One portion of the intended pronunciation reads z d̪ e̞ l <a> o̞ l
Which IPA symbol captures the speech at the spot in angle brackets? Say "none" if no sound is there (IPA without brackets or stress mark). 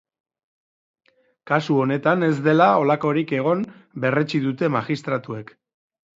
a